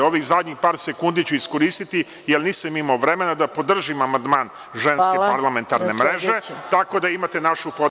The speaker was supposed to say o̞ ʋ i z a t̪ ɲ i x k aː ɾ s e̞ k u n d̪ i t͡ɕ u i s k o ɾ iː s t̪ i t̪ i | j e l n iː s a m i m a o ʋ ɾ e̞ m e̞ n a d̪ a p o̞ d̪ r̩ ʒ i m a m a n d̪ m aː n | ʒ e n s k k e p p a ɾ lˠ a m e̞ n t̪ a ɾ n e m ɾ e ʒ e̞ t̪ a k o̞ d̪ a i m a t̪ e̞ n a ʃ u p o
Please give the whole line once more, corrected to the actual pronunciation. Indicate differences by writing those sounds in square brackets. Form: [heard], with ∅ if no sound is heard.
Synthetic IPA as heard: o̞ ʋ i z a [d̪] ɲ i x [p] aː ɾ s e̞ k u n d̪ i t͡ɕ u i s k o ɾ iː s t̪ i t̪ i | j e l n iː s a m i m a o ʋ ɾ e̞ m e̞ n a d̪ a p o̞ d̪ r̩ ʒ i m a m a n d̪ m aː n | ʒ e n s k k e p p a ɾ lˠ a m e̞ n t̪ a ɾ n e m ɾ e ʒ e̞ t̪ a k o̞ d̪ a i m a t̪ e̞ n a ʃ u p o